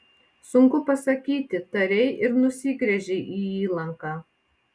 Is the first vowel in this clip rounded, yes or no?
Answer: yes